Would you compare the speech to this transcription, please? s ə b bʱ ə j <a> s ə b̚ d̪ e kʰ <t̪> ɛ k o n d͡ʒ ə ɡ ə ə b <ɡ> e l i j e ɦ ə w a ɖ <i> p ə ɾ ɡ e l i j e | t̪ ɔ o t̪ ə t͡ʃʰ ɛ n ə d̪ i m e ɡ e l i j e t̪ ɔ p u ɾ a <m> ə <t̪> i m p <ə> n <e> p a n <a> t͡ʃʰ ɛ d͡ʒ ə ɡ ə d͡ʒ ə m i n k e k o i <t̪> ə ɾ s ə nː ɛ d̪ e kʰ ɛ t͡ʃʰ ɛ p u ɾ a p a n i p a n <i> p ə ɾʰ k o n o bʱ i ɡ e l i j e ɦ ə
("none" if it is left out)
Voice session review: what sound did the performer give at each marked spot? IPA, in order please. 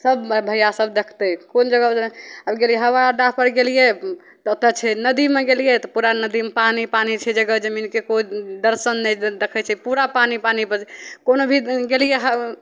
a, t̪, ɡ, a, n, d̪, a, i, i, d̪, i

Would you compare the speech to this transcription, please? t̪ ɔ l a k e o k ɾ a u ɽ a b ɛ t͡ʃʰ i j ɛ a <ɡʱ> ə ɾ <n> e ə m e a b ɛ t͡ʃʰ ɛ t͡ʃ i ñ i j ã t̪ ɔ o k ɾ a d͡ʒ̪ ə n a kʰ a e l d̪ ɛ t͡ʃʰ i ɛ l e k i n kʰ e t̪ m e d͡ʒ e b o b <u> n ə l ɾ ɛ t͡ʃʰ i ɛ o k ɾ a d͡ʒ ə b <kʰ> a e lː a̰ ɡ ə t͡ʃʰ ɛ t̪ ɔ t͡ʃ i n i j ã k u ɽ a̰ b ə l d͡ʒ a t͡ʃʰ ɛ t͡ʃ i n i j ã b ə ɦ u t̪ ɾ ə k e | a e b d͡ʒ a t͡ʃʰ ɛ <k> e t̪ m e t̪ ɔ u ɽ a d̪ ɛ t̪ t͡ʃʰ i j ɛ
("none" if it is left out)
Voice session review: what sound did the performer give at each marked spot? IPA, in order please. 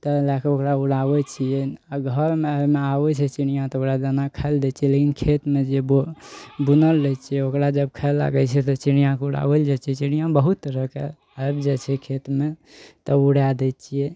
ɡʱ, m, u, kʰ, kʰ

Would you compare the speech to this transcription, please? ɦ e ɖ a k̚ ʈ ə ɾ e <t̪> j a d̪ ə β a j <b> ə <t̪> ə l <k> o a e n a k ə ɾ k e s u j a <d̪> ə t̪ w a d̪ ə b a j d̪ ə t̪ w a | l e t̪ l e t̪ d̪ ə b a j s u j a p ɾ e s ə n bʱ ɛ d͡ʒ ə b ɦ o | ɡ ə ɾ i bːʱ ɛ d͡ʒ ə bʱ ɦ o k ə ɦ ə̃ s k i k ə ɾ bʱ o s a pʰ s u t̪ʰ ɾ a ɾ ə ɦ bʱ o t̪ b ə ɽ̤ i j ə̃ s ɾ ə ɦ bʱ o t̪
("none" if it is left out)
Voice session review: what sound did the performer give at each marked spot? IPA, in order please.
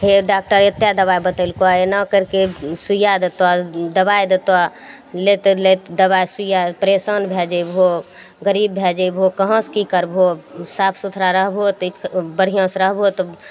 t̪, b, t̪, k, d̪

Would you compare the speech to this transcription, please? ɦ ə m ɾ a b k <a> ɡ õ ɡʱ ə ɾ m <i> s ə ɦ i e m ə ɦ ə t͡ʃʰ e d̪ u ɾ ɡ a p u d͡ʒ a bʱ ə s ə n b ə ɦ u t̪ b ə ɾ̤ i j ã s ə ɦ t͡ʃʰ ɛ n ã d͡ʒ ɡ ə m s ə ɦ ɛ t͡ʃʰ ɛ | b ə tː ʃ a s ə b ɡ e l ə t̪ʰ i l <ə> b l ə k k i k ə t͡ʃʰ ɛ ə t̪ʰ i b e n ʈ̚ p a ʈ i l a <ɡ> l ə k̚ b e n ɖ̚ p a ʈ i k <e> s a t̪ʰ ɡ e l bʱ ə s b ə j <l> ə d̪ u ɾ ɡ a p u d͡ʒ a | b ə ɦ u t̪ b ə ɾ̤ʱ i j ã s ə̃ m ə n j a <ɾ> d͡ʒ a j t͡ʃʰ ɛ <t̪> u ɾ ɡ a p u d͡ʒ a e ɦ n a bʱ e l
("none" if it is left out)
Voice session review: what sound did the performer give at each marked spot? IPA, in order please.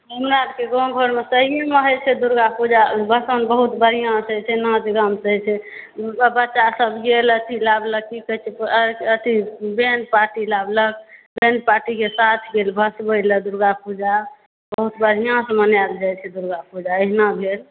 e, e, a, b, e, l, l, d̪

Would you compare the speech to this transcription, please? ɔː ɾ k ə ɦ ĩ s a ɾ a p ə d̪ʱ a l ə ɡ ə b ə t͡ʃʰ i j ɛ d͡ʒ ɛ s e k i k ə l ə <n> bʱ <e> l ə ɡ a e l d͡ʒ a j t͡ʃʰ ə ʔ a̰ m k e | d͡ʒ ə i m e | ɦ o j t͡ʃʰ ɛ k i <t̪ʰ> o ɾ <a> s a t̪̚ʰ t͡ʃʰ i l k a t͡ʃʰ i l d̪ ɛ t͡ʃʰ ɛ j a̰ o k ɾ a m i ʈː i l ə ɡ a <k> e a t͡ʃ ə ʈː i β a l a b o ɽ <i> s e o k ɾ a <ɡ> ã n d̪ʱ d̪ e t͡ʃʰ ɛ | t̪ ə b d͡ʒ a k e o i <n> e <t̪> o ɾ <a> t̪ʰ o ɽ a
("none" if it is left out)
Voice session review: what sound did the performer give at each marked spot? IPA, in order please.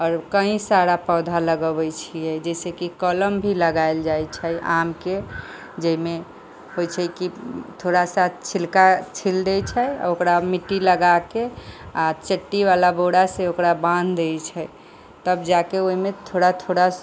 m, i, t̪ʰ, a, k, a, b, m, t̪ʰ, a

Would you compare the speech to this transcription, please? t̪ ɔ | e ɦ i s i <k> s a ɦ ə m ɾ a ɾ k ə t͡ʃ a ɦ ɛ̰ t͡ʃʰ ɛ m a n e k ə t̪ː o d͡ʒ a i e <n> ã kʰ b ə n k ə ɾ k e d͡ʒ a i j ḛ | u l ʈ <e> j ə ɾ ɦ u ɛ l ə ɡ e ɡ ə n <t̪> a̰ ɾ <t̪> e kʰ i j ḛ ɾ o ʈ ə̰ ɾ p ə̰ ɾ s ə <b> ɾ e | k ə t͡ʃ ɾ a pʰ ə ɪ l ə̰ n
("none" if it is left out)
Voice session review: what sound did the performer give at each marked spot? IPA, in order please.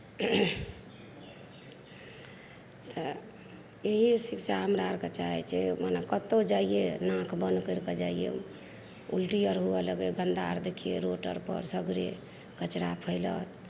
k, n, i, d̪, d̪, ɡ

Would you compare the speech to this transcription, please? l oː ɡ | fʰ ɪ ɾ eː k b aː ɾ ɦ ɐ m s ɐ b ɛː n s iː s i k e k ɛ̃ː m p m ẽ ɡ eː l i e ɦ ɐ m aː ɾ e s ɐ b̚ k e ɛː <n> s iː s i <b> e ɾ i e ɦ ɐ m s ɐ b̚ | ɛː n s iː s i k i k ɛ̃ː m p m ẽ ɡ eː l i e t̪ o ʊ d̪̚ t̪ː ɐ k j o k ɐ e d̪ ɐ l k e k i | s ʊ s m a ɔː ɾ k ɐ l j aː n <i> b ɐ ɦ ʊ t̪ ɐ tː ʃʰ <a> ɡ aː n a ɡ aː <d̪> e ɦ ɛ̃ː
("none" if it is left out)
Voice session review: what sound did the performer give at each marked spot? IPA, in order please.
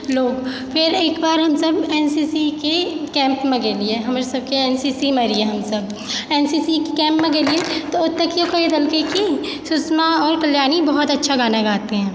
n, m, i, a, t̪

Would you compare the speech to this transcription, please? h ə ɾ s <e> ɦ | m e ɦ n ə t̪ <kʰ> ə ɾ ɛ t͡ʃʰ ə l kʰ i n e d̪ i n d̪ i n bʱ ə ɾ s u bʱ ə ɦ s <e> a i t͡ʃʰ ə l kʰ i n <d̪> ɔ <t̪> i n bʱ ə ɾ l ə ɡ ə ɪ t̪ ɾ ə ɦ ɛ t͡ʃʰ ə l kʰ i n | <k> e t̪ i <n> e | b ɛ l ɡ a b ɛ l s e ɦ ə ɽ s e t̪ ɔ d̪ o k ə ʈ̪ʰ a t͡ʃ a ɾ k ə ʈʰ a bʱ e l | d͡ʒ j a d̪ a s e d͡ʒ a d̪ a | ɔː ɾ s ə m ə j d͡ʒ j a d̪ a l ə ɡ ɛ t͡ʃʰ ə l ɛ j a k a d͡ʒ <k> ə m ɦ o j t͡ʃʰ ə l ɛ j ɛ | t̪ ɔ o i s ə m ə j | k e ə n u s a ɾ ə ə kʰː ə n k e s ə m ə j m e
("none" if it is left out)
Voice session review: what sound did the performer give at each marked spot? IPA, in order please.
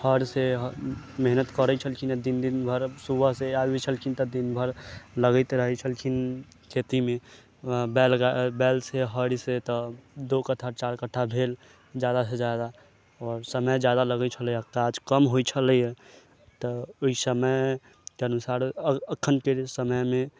e, k, e, t̪, d̪, kʰ, m, k

